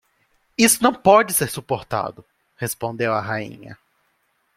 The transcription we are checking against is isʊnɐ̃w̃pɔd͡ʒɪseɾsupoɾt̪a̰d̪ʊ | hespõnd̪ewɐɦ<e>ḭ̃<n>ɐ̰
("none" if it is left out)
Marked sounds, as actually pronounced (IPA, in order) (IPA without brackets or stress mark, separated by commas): a, ɲ